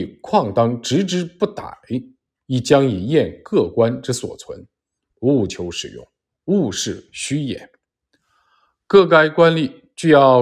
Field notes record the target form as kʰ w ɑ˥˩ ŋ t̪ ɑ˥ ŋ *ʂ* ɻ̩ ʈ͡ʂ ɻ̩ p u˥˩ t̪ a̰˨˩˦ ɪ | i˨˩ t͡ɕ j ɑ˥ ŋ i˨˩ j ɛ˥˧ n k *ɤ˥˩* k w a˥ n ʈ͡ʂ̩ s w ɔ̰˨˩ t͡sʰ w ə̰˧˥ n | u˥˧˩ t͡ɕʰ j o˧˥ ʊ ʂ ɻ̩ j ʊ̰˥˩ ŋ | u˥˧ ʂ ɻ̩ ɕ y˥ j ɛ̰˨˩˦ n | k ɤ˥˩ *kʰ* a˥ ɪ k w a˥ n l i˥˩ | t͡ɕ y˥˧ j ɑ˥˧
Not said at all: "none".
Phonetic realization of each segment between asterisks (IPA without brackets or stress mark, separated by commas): ʈ͡ʂ, ɤ˥˩, k